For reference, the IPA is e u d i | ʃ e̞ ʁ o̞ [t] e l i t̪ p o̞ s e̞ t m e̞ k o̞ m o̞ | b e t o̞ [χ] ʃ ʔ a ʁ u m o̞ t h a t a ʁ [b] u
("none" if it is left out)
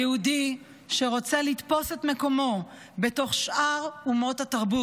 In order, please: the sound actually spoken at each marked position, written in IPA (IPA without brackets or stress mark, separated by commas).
t͡s, χ, b